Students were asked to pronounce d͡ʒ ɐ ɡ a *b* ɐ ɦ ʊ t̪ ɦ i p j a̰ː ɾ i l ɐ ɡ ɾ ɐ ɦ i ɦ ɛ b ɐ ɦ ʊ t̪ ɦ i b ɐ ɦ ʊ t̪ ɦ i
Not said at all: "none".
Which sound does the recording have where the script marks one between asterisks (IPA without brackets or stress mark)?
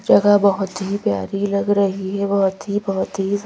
b